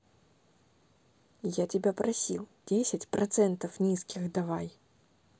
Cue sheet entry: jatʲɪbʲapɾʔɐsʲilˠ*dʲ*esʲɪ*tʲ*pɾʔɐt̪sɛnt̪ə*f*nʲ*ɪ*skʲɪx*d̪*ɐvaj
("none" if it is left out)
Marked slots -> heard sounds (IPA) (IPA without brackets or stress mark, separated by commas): dʲ, tʲ, f, i, d̪